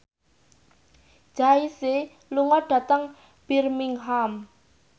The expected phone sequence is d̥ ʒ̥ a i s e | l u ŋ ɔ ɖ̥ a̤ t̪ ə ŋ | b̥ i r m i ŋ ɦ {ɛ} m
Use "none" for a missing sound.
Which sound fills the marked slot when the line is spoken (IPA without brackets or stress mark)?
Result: a